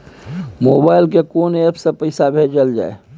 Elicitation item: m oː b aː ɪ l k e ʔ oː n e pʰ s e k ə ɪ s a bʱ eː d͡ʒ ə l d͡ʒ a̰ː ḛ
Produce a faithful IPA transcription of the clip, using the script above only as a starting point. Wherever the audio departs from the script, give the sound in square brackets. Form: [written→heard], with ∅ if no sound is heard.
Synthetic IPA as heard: m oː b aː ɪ l k e [ʔ→k] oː n e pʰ s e [k→p] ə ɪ s a bʱ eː d͡ʒ ə l d͡ʒ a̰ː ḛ

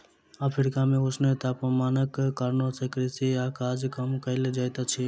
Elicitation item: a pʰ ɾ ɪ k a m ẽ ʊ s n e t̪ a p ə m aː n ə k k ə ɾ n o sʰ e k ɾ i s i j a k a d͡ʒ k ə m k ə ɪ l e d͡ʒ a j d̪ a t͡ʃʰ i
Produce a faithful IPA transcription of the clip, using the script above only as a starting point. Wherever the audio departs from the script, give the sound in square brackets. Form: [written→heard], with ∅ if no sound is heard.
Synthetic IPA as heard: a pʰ ɾ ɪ k a m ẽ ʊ s n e t̪ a p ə m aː n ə k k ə ɾ n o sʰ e k ɾ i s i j a k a d͡ʒ k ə m k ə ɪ l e d͡ʒ a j [d̪→t̪] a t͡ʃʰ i

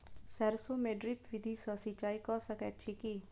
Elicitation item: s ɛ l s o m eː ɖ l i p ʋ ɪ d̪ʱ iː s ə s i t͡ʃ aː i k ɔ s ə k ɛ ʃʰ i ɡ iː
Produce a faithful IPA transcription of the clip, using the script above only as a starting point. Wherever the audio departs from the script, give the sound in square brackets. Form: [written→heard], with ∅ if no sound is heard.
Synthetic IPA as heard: s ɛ [l→ɾ] s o m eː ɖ [l→ɾ] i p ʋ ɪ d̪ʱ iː s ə s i t͡ʃ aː i k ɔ s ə k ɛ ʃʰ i [ɡ→k] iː

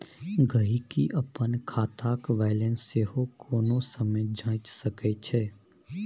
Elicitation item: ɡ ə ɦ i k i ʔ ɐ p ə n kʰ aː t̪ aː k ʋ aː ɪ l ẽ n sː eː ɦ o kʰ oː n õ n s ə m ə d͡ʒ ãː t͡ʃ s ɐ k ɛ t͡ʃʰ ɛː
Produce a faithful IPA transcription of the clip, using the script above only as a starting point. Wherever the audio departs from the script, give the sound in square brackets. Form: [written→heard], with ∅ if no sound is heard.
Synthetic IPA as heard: ɡ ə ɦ i k i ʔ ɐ p ə n kʰ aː t̪ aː k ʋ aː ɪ l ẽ n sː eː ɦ o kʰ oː n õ [n→∅] s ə m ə d͡ʒ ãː t͡ʃ s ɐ k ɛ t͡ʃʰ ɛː

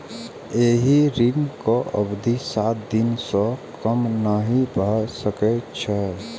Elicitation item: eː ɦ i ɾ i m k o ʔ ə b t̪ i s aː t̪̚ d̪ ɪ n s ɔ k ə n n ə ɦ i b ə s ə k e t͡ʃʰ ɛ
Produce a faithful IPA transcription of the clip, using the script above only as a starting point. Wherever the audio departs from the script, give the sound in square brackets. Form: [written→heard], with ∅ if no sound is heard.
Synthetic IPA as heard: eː ɦ i ɾ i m k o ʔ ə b [t̪→d̪] i s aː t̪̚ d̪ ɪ n s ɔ k ə [n→m] n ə ɦ i b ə s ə k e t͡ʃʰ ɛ

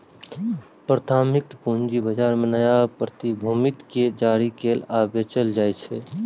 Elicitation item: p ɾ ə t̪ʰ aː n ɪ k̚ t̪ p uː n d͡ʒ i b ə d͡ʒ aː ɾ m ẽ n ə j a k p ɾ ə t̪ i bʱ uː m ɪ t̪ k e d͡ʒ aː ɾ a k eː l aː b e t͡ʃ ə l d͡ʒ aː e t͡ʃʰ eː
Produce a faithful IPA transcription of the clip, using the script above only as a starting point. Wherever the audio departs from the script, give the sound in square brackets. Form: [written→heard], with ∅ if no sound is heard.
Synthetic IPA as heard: p ɾ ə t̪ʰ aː [n→m] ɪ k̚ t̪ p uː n d͡ʒ i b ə d͡ʒ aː ɾ m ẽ n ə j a [k→∅] p ɾ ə t̪ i bʱ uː m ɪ t̪ k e d͡ʒ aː ɾ [a→i] k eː l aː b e t͡ʃ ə l d͡ʒ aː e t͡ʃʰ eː

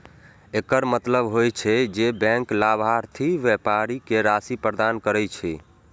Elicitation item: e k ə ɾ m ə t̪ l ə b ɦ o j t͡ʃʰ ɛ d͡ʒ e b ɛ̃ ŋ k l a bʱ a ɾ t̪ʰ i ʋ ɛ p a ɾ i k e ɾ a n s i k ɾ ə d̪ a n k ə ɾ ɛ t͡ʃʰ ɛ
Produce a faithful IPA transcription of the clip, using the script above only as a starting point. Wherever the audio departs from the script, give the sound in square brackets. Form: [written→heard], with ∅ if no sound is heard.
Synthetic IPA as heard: e k ə ɾ m ə t̪ l ə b ɦ o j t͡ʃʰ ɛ d͡ʒ e b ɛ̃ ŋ k l a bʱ a ɾ t̪ʰ i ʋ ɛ p a ɾ i k e ɾ a [n→∅] s i [k→p] ɾ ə d̪ a n k ə ɾ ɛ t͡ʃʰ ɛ

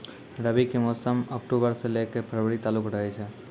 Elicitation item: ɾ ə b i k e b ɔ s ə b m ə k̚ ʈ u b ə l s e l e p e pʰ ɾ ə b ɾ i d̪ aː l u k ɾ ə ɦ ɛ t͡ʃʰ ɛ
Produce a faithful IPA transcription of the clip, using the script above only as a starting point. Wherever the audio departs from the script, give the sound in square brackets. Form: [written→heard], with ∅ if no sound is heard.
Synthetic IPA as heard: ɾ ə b i k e [b→m] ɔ s ə [b→∅] m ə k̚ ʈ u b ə [l→ɾ] s e l e [p→k] e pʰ ɾ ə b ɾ i [d̪→t̪] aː l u k ɾ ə ɦ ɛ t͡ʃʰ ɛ

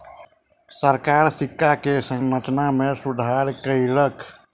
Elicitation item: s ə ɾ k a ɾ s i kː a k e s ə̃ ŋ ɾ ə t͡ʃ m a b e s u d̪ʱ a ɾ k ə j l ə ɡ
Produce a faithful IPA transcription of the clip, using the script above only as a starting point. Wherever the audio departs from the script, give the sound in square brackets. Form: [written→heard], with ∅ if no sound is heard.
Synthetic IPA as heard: s ə ɾ k a ɾ s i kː a k e s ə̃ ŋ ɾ ə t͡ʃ [m→n] a [b→m] e s u d̪ʱ a ɾ k ə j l ə [ɡ→k]

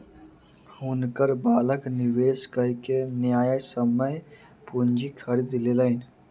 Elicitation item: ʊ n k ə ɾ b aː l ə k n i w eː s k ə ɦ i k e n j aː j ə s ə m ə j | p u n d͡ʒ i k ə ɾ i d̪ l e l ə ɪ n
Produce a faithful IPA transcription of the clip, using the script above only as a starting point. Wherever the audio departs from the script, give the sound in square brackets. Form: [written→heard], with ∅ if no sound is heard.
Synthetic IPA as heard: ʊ n k ə ɾ b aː l ə k n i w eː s k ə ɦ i k e n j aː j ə s ə m ə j | p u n d͡ʒ i [k→kʰ] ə ɾ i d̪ l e l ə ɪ n

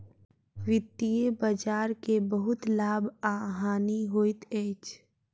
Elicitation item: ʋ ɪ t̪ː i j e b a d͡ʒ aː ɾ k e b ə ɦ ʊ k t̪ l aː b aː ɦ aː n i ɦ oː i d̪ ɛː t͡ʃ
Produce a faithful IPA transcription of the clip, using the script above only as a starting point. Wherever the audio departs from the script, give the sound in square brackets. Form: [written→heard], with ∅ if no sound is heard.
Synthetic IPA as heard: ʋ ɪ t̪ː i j e b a d͡ʒ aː ɾ k e b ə ɦ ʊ [k→∅] t̪ l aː b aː ɦ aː n i ɦ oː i [d̪→t̪] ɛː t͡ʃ

